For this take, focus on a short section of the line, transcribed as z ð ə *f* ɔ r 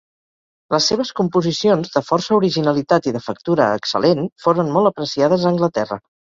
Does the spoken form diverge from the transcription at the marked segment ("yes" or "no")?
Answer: no